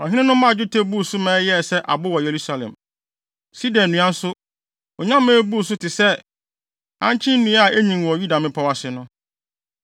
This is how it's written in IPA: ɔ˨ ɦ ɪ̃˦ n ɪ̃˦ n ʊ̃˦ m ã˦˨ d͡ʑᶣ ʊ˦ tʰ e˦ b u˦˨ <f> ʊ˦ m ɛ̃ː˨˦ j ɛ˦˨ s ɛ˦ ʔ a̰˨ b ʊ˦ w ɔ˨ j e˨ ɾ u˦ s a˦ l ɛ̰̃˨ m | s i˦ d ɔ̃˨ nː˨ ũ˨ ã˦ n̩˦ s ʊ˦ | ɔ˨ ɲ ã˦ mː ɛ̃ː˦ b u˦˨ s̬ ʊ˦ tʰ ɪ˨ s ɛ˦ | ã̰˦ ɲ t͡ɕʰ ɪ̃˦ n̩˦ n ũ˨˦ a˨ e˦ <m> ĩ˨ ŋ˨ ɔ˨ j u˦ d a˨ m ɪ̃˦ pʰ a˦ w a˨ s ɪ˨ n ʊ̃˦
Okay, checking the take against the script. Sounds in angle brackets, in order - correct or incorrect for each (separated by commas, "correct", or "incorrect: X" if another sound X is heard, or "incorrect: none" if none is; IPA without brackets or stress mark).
incorrect: s, incorrect: ɲ